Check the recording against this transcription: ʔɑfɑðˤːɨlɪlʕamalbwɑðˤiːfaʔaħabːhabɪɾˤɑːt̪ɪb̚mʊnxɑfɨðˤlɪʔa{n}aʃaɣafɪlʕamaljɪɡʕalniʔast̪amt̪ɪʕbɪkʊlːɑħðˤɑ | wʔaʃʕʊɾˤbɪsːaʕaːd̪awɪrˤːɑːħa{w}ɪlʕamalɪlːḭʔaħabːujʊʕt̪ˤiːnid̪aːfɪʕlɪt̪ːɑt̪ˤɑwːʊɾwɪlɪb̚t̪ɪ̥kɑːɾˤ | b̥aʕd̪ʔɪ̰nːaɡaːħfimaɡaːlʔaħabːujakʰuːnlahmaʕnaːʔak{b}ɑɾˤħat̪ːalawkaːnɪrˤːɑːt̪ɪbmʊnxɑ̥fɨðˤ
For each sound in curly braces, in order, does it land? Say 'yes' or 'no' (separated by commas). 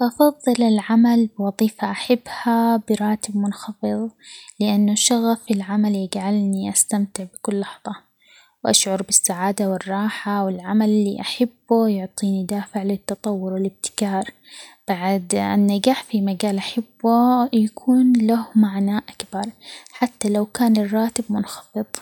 no, yes, yes